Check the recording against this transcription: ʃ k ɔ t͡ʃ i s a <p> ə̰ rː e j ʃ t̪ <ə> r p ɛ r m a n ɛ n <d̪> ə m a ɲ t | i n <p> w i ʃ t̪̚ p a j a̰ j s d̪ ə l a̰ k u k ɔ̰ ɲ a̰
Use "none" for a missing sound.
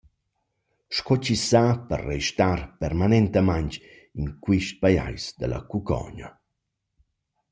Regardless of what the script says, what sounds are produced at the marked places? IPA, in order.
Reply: p, a, t̪, k

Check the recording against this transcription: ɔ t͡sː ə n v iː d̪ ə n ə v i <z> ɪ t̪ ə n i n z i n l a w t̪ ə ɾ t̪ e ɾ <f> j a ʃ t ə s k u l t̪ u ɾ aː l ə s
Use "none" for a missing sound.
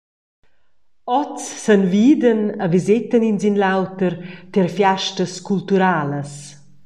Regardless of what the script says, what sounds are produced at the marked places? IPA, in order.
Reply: z, f

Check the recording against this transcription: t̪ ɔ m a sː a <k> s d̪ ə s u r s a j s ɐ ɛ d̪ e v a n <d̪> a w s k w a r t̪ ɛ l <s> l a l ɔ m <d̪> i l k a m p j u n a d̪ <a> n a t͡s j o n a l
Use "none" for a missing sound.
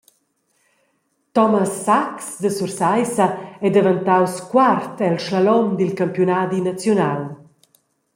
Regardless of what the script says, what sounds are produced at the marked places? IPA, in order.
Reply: k, t̪, ʃ, d̪, i

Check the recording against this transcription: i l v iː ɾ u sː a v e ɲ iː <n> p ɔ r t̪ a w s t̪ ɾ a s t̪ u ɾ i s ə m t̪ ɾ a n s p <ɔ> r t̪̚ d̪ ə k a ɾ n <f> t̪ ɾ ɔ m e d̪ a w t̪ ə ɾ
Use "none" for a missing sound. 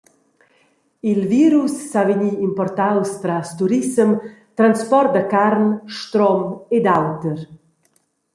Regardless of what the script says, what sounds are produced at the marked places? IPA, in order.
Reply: m, ɔ, ʃ

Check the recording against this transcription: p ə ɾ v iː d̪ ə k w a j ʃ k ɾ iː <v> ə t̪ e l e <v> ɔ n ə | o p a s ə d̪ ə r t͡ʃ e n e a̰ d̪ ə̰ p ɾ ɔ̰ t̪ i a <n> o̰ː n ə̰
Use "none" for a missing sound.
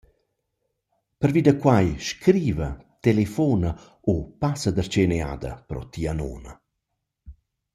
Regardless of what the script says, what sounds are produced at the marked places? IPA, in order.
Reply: v, f, n

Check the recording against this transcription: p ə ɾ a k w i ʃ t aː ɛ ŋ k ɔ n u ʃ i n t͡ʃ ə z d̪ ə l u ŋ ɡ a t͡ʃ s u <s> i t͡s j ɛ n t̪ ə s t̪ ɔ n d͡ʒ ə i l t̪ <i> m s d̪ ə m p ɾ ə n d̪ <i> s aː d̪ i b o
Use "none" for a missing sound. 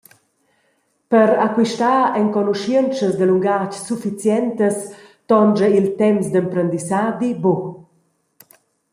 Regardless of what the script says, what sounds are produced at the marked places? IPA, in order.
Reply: f, ɛ, i

